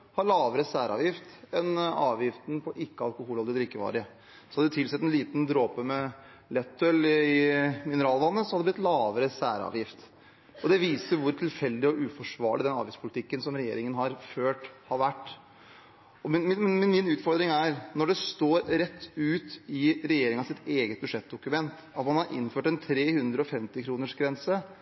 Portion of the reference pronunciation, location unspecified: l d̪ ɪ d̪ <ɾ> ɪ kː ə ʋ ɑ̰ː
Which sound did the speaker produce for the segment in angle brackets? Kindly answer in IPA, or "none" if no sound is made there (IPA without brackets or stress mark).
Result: ɾ